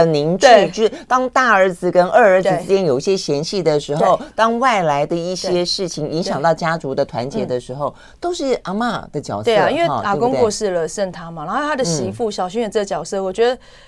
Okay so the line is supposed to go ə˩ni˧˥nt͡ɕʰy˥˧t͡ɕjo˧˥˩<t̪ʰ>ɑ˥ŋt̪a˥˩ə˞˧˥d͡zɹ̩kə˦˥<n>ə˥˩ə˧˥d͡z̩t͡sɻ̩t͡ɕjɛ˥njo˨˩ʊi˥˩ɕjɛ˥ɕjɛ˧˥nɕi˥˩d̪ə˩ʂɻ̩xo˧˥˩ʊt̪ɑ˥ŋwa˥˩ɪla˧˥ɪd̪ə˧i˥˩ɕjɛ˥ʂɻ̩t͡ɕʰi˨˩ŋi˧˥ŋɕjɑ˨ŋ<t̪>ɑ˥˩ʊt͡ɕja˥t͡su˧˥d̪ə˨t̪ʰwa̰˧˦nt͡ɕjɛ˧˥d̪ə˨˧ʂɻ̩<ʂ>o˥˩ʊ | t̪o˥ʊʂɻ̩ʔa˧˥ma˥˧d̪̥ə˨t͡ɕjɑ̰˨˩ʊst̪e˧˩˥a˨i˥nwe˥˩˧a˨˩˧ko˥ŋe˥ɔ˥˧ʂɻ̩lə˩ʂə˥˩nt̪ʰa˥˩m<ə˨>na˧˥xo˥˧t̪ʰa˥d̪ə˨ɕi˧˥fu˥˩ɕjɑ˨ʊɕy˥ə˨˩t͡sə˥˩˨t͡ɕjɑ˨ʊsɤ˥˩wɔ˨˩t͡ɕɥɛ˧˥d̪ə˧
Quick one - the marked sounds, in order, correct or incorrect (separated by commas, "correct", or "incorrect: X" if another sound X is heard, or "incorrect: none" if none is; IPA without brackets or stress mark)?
incorrect: t̪, correct, correct, incorrect: x, incorrect: a˨